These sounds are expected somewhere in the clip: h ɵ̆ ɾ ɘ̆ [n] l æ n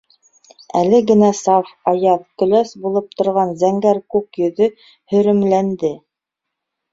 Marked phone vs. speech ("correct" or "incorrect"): incorrect